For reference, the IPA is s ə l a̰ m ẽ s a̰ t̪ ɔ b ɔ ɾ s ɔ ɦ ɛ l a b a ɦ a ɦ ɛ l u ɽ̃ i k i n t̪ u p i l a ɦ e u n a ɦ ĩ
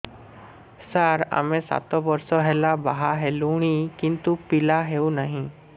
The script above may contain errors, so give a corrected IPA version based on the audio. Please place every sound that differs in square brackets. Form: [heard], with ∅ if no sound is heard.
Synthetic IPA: s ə [ɾ] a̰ m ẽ s a̰ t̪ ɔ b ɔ ɾ s ɔ ɦ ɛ l a b a ɦ a ɦ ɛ l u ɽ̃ i k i n t̪ u p i l a ɦ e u n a ɦ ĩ